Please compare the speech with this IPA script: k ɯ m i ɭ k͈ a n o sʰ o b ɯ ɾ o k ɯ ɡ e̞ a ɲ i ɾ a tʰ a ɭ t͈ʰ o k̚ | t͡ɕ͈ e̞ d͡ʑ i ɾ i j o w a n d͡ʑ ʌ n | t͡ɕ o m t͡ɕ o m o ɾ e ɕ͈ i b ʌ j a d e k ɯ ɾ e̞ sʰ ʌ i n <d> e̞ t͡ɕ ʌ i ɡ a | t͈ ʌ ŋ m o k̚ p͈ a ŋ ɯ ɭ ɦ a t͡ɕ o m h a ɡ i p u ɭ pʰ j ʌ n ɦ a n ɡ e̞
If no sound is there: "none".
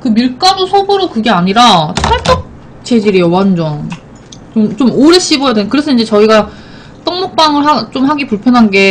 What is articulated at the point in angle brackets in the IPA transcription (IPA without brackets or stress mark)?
d͡ʑ